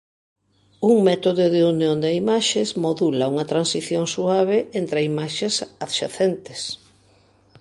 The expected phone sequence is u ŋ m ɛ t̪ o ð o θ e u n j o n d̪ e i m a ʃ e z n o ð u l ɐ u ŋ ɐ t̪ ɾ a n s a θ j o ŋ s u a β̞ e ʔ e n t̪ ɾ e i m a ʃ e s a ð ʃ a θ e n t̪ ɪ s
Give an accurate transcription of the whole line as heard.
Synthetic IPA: u ŋ m ɛ t̪ o ð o ð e u n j o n d̪ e i m a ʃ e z m o ð u l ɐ u ŋ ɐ t̪ ɾ a n s i θ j o ŋ s u a β̞ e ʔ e n t̪ ɾ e i m a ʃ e s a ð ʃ a θ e n t̪ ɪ s